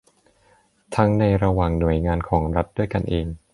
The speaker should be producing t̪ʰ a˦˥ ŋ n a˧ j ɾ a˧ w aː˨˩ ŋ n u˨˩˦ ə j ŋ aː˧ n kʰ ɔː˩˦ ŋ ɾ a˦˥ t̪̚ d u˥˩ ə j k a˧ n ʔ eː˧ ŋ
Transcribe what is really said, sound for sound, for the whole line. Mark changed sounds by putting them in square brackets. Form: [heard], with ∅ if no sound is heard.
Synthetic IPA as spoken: t̪ʰ a˦˥ ŋ n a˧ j ɾ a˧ w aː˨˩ ŋ n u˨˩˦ ə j ŋ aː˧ n kʰ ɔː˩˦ ŋ ɾ a˦˥ t̪̚ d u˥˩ ə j k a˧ n ʔ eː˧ ŋ